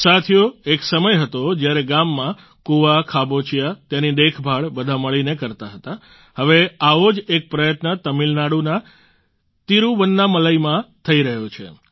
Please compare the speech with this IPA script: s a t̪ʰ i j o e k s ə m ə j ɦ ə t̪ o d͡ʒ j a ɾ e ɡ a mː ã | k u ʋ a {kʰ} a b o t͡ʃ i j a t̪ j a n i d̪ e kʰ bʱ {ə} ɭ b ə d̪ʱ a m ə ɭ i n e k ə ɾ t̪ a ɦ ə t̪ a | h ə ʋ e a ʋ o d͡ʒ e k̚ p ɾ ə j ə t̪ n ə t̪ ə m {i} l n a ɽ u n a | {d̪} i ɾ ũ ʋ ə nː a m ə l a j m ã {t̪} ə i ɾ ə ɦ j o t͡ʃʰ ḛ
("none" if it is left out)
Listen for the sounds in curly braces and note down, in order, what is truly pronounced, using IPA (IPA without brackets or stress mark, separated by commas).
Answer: kʰ, a, i, t̪, t̪ʰ